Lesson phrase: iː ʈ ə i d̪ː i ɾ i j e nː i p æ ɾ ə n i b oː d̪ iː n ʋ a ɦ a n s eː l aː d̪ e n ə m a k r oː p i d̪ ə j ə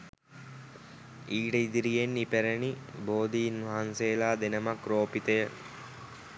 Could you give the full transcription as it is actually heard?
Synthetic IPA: iː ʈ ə i d̪ i ɾ i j e nː i p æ ɾ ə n i b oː d̪ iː n ʋ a ɦ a n s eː l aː d̪ e n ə m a k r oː p i t̪ ə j ə